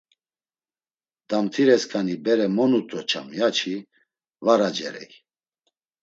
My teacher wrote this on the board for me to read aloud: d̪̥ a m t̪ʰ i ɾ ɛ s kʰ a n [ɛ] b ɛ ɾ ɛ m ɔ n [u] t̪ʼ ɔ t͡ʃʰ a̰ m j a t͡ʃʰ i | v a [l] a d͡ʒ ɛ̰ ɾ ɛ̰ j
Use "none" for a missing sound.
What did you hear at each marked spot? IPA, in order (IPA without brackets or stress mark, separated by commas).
i, u, ɾ